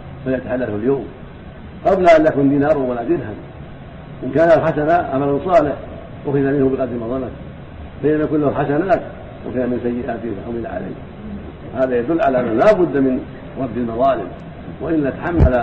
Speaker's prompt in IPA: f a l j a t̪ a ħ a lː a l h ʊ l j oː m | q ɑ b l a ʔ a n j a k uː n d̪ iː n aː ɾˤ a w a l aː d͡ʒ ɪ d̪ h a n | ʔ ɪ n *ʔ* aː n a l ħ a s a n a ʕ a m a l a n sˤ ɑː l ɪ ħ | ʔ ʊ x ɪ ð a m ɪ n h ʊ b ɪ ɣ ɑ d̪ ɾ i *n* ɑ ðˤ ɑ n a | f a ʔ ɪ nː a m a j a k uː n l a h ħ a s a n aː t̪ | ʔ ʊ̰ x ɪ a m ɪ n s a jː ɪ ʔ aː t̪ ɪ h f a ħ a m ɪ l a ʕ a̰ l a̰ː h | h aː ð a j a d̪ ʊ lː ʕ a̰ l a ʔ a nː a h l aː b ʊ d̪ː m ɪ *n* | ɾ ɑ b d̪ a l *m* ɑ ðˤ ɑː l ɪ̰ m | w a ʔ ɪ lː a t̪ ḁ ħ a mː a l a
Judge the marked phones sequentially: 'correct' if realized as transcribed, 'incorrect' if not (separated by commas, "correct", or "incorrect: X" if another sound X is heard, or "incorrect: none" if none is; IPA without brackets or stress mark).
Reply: incorrect: k, incorrect: m, correct, correct